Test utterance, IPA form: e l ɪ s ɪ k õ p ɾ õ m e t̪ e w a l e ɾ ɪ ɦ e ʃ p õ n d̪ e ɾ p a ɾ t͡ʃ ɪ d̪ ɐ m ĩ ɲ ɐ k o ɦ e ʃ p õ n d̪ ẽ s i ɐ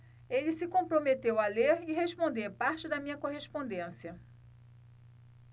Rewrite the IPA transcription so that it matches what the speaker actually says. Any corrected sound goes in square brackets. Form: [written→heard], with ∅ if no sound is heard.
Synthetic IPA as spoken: e l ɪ s ɪ k õ p ɾ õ m e t̪ e w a l e ɾ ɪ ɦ e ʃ p õ n d̪ e ɾ p a ɾ t͡ʃ ɪ d̪ ɐ m ĩ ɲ ɐ k o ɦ e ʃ p õ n d̪ ẽ s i ɐ